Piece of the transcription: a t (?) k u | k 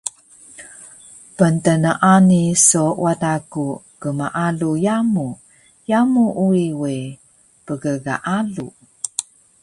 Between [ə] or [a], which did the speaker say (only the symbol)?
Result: a